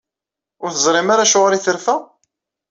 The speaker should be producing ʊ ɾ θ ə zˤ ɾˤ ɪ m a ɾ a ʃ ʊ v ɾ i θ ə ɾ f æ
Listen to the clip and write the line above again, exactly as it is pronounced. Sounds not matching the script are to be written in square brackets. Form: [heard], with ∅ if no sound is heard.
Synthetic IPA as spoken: ʊ ɾ θ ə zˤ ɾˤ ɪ m a ɾ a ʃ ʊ [ʁ] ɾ i θ ə ɾ f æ